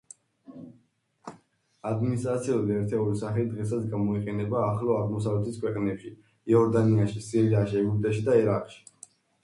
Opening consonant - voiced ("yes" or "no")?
yes